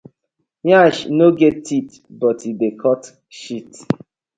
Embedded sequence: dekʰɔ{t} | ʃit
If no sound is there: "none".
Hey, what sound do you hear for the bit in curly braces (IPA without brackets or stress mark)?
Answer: t